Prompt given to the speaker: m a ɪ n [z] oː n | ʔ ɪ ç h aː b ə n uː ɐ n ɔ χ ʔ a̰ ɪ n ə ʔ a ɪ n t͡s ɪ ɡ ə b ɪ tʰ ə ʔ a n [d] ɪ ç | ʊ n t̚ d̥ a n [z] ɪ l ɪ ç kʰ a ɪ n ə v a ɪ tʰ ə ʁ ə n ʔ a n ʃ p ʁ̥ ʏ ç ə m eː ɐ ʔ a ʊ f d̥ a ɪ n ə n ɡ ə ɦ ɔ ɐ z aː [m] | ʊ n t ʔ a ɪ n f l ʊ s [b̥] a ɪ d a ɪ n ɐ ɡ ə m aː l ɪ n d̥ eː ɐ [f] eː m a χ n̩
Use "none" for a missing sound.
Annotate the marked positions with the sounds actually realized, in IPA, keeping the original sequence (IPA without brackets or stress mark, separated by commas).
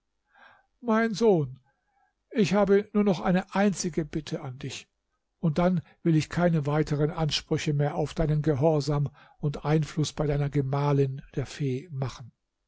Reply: z, d, v, m, b̥, f